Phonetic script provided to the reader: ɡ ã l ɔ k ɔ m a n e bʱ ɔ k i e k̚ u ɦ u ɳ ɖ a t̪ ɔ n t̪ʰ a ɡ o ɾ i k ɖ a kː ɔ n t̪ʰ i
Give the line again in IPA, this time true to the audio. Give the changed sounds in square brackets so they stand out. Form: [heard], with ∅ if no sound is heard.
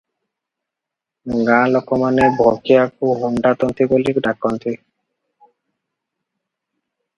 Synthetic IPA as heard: ɡ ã l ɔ k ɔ m a n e bʱ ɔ k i [a] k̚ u ɦ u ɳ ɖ a t̪ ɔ n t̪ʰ [i] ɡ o [l] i k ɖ a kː ɔ n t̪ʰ i